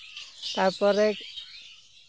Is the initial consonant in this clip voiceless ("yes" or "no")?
yes